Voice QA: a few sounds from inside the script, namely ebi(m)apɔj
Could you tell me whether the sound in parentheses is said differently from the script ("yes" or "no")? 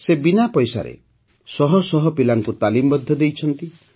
yes